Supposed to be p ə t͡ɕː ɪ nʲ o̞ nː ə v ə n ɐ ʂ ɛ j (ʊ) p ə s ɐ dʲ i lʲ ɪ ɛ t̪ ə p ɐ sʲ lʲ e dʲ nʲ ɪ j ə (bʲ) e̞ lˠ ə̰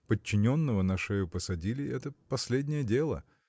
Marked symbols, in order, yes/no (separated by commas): yes, no